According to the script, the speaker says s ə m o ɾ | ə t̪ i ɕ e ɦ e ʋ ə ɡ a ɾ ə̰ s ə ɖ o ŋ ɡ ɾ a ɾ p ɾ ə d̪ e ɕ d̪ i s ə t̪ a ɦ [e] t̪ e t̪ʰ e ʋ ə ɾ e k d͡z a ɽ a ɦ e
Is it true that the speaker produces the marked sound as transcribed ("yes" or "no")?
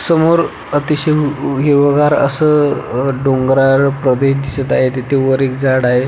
yes